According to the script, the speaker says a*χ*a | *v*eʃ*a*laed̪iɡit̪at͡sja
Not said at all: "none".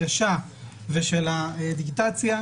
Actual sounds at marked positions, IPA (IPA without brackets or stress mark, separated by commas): ʃ, v, e